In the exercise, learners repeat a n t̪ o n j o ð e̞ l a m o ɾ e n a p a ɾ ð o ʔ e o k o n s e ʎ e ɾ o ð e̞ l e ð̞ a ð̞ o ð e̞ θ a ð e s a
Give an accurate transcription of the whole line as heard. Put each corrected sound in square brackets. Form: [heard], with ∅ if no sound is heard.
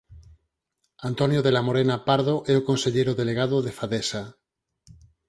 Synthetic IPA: a n t̪ o n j o ð e̞ l a m o ɾ e n a p a ɾ ð o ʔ e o k o n s e ʎ e ɾ o ð e̞ l e [ɣ̞] a ð̞ o ð e̞ [f] a ð e s a